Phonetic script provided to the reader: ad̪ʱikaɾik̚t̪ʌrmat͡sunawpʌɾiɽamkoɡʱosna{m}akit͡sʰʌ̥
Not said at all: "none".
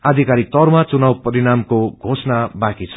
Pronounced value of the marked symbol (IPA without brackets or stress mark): b